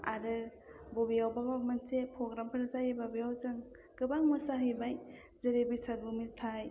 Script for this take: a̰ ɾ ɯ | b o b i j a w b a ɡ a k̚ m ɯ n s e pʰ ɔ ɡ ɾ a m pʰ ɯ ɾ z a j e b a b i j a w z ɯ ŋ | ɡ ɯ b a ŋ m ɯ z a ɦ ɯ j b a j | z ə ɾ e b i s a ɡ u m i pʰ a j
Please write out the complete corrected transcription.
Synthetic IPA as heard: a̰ ɾ ɯ | b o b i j a w b a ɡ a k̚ m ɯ n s e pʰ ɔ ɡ ɾ a m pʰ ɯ ɾ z a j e b a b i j a w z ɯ ŋ | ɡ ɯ b a ŋ m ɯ s a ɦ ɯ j b a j | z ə ɾ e b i s a ɡ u m i tʰ a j